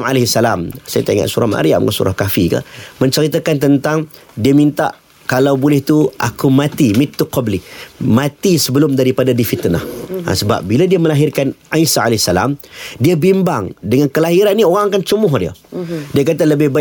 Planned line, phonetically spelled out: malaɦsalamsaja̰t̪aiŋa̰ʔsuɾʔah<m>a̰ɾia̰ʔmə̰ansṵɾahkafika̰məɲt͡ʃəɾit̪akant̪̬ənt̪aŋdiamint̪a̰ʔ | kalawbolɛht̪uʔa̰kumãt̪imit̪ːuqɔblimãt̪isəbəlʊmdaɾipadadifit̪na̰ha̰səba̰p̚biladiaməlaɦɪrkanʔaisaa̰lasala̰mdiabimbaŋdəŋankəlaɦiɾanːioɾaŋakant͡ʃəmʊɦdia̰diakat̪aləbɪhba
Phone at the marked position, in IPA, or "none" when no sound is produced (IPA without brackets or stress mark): m